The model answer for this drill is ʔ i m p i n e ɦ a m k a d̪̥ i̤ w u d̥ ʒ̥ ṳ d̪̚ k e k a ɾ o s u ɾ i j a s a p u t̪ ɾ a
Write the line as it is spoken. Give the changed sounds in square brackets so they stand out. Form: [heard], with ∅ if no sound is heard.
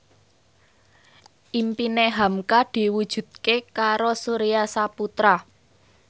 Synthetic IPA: ʔ i m p i n e ɦ a m k a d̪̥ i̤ w u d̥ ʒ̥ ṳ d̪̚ k e k a ɾ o s u ɾ i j a s a p u t̪ ɾ a